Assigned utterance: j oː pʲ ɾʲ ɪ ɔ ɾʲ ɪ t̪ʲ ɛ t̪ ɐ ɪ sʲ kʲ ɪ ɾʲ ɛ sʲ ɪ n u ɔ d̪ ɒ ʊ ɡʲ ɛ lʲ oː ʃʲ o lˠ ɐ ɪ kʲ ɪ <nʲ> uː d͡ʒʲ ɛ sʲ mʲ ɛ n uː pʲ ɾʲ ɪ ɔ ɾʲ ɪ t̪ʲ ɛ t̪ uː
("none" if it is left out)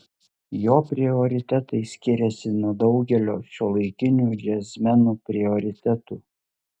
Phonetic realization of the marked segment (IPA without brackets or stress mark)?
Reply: nʲ